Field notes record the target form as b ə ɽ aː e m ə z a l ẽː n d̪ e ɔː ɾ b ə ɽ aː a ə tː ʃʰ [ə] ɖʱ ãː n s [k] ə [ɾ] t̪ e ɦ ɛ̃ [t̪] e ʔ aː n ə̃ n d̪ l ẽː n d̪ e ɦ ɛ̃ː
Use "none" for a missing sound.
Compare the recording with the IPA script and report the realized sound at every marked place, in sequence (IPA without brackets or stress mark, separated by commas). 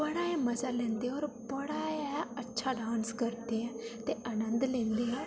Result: a, k, ɾ, t̪